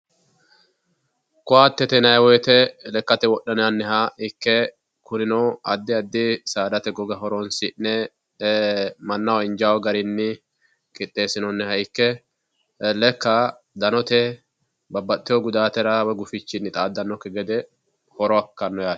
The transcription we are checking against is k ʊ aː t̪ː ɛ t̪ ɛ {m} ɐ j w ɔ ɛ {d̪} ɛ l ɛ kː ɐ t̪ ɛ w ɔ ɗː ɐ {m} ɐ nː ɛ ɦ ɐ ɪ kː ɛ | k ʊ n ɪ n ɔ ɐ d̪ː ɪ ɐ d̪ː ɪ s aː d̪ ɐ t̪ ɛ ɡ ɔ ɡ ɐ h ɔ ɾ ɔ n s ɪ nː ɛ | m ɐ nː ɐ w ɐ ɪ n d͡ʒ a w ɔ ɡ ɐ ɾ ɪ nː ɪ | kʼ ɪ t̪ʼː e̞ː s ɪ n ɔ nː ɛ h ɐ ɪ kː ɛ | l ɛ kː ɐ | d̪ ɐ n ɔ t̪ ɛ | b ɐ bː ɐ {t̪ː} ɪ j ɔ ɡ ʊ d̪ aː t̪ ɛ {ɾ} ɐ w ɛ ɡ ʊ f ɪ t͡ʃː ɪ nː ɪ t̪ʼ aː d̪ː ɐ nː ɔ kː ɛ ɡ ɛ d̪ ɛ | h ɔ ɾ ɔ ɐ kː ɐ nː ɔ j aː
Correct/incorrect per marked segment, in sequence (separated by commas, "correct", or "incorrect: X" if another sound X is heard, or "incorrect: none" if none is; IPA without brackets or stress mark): incorrect: n, incorrect: t̪, incorrect: n, correct, correct